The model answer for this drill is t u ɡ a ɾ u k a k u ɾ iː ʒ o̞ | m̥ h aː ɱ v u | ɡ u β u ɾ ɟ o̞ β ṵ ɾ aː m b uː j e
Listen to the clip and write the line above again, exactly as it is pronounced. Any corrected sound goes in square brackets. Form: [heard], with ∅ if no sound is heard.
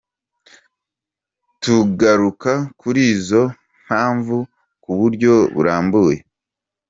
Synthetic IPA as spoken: t u ɡ a ɾ u k a k u ɾ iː [z] o̞ | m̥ h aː ɱ v u | [k] u β u ɾ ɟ o̞ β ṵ ɾ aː m b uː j e